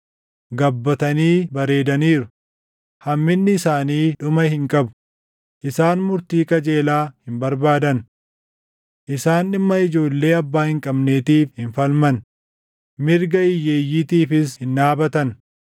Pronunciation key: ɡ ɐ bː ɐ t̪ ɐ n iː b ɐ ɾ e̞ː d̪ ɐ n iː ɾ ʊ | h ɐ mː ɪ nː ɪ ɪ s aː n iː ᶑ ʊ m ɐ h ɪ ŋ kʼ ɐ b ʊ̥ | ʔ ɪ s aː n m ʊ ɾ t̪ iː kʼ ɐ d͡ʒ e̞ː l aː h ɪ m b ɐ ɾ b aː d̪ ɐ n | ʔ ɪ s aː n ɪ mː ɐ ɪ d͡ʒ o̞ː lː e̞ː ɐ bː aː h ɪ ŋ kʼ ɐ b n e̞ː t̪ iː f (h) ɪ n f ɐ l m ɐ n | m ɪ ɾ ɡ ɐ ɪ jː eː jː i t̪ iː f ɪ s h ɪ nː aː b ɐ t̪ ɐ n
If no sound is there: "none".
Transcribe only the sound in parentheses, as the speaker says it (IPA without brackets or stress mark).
h